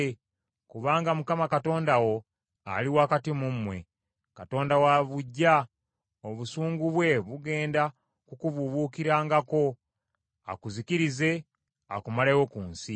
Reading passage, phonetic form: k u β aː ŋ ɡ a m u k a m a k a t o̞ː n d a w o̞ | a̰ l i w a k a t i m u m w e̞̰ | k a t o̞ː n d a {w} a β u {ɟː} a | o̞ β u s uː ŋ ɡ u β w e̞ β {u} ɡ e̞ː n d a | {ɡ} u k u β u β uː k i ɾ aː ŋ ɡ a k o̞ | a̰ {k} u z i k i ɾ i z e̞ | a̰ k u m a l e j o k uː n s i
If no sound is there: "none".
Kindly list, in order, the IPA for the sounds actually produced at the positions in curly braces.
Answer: w, ɟː, u, k, k

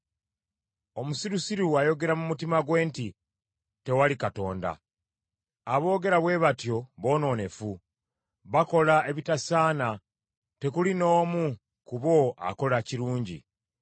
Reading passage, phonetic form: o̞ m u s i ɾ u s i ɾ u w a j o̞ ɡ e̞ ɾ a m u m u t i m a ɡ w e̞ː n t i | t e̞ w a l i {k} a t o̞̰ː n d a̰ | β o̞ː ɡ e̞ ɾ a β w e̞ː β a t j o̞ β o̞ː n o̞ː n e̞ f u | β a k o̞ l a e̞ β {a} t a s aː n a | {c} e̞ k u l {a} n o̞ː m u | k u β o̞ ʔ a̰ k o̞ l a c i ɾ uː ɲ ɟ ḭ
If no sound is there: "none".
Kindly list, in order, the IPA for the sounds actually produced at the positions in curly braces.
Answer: k, i, t, i

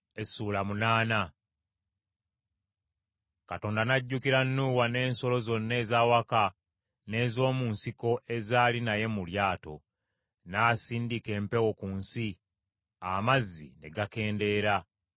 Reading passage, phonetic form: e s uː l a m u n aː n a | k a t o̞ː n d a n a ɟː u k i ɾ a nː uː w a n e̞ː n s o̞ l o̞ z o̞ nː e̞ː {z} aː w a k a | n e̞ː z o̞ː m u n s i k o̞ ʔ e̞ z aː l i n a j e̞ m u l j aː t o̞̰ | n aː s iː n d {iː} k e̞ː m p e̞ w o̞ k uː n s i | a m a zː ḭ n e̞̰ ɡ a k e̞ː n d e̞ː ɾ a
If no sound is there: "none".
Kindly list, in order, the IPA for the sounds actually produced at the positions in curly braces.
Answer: z, i

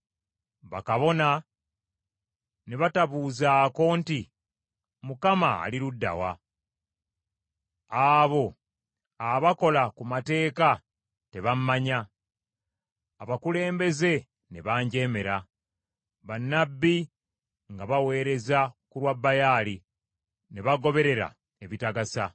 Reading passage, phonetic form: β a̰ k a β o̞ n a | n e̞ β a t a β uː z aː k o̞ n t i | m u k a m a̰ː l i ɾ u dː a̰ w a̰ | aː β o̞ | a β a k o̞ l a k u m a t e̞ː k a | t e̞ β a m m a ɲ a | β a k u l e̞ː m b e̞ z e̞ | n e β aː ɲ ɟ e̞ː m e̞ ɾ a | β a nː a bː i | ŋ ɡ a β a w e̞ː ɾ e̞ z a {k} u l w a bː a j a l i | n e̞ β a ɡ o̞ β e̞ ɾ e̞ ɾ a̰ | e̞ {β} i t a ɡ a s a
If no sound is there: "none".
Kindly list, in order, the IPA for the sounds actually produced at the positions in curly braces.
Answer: k, β

